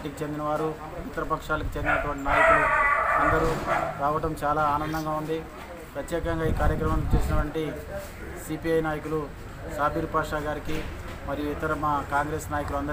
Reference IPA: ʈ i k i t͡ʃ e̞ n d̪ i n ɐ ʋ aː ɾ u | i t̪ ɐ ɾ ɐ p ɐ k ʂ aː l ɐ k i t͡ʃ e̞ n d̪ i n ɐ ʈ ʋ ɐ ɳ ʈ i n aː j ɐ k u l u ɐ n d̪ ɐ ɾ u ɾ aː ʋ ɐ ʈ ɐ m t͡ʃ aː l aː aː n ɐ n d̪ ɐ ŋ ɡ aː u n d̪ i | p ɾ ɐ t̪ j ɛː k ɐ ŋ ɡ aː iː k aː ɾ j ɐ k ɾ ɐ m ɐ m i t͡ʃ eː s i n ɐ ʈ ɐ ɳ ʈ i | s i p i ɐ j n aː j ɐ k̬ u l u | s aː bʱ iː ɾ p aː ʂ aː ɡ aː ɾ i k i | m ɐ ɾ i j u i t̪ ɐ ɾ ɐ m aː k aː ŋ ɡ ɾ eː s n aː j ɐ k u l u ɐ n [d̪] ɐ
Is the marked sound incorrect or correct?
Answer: correct